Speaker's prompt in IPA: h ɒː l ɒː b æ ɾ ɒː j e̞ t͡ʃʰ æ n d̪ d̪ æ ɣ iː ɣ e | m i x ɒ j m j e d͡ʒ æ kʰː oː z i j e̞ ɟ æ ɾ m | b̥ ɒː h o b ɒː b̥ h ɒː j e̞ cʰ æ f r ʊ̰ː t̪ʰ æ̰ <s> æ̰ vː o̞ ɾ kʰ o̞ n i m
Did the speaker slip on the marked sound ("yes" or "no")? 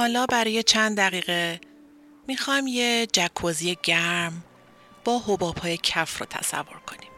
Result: no